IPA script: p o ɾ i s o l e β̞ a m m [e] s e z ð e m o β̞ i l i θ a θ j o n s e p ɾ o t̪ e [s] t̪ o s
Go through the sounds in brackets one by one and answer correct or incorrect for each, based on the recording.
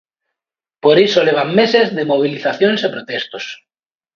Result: correct, correct

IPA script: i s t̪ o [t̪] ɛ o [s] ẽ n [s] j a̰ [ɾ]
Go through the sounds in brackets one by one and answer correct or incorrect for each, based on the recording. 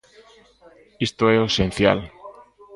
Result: incorrect: none, correct, incorrect: θ, incorrect: l

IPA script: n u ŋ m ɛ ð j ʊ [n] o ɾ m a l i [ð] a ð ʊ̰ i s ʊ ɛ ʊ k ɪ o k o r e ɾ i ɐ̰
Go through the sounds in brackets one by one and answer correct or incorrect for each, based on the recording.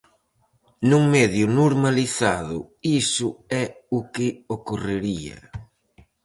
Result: correct, incorrect: θ

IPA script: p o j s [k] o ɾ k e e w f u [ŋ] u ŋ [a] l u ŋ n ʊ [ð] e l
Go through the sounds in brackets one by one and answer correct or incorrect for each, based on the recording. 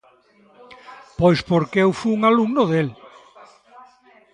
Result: incorrect: p, incorrect: none, correct, correct

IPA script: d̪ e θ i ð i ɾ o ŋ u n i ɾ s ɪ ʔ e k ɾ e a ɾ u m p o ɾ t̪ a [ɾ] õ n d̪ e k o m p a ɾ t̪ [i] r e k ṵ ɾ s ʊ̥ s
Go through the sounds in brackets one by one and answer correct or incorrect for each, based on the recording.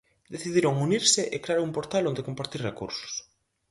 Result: incorrect: l, correct

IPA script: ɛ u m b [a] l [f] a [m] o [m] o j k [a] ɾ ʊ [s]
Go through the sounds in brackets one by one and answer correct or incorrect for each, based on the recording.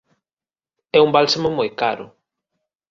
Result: correct, incorrect: s, correct, correct, correct, incorrect: none

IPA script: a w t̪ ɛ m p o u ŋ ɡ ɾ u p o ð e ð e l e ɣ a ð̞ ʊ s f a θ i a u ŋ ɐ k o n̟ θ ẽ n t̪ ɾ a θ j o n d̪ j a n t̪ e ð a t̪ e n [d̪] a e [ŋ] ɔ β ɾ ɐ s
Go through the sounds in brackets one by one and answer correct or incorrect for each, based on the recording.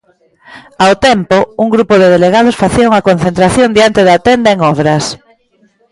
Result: correct, correct

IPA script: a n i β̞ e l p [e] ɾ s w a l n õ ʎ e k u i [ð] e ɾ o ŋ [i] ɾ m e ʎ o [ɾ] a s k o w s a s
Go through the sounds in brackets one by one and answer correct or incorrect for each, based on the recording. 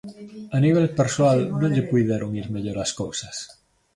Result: correct, correct, correct, correct

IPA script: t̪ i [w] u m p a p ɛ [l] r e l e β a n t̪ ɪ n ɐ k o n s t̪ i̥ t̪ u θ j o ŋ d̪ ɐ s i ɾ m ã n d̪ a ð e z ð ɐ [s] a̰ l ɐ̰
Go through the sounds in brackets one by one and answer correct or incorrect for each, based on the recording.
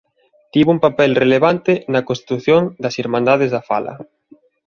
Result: incorrect: β, correct, incorrect: f

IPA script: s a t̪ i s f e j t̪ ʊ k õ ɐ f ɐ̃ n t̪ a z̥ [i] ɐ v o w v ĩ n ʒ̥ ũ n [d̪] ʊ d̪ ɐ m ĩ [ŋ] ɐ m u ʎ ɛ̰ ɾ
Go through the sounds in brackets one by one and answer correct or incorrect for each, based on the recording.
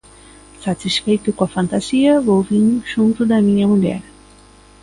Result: correct, incorrect: t̪, incorrect: ɲ

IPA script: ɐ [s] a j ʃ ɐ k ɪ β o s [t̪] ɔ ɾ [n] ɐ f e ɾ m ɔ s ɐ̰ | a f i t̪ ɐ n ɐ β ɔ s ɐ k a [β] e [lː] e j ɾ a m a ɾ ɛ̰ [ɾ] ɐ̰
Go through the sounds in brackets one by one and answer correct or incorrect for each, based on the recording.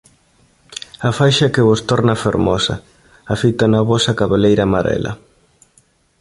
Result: incorrect: f, correct, correct, correct, incorrect: l, incorrect: l

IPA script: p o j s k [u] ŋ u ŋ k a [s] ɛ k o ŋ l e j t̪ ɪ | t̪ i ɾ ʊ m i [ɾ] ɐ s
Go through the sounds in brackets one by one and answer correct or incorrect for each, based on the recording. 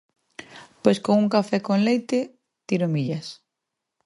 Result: incorrect: o, incorrect: f, incorrect: ʎ

